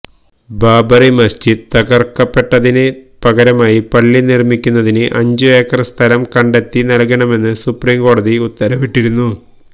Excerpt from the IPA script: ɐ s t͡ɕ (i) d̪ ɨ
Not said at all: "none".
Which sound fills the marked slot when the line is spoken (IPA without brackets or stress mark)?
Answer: i